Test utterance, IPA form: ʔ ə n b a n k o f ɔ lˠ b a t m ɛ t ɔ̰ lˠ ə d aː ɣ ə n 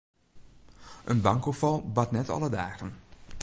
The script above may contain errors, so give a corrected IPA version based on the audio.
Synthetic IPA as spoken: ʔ ə n b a ŋ k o f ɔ lˠ b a t n ɛ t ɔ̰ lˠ ə d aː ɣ ə n